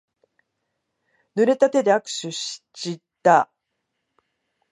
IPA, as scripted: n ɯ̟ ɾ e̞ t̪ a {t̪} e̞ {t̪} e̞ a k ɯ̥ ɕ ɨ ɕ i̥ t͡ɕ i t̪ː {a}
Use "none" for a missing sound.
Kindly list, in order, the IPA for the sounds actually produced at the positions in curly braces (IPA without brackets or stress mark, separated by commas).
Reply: t̪, d̪, a